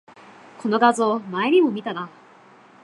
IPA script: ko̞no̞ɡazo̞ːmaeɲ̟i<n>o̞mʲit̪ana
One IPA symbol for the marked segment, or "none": m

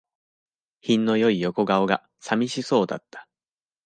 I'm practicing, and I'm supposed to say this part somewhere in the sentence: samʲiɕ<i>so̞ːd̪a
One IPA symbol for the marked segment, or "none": i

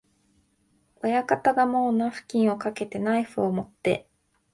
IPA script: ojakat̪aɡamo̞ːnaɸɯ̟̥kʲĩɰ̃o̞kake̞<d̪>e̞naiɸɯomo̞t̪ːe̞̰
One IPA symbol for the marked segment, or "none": t̪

